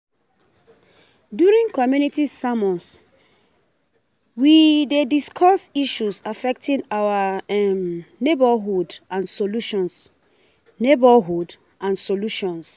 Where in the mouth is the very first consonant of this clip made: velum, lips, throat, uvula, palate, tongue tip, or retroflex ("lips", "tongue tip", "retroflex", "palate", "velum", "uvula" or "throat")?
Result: tongue tip